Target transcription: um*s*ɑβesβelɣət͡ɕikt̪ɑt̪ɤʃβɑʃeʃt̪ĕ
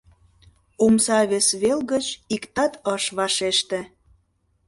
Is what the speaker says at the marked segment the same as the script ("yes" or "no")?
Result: yes